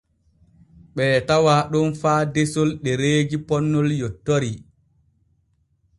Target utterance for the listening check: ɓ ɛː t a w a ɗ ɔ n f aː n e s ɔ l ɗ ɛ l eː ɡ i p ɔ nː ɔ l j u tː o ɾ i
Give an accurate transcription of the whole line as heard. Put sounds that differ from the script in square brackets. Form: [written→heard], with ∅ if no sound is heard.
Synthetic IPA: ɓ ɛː t a w a ɗ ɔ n f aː [n→d] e s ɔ l ɗ ɛ [l→ɾ] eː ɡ i p ɔ nː ɔ l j [u→ɔ] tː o ɾ i